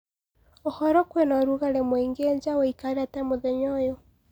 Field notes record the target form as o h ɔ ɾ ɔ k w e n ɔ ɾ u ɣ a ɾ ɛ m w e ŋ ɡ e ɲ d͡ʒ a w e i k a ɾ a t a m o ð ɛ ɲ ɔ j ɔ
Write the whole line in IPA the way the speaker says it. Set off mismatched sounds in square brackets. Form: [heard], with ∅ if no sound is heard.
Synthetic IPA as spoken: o h ɔ ɾ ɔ k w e n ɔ ɾ u ɣ a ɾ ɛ m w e ŋ ɡ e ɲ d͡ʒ a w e i k a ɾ a t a m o ð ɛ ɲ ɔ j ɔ